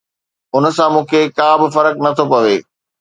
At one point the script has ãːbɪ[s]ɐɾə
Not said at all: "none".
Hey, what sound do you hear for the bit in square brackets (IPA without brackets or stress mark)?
f